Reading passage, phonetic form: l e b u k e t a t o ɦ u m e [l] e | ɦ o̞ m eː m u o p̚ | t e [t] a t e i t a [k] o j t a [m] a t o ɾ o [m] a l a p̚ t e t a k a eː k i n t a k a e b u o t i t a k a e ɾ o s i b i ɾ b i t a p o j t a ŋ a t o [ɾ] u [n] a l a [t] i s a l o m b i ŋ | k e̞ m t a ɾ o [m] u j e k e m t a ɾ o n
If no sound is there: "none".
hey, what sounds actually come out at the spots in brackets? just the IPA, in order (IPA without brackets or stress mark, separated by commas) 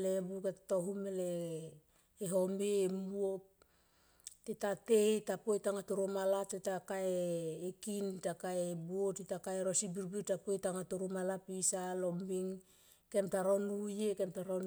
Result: l, t, p, ŋ, m, ɾ, m, p, n